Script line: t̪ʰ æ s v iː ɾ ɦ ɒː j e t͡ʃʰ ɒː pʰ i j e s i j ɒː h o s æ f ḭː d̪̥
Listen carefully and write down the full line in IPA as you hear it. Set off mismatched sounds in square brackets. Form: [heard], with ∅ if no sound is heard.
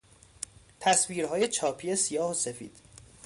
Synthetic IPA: t̪ʰ æ s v iː ɾ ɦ ɒː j e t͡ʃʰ ɒː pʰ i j e s i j ɒː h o s [e] f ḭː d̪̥